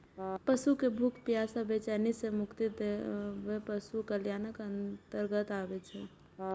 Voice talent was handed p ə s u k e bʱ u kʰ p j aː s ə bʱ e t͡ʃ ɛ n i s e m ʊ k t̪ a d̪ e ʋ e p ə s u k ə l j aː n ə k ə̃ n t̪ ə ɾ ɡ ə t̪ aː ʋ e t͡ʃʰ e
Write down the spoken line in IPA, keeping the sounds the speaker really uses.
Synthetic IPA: p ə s u k e bʱ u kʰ p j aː s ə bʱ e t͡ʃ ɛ n i s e m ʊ k t̪ i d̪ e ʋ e p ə s u k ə l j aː n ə k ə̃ n t̪ ə ɾ ɡ ə t̪ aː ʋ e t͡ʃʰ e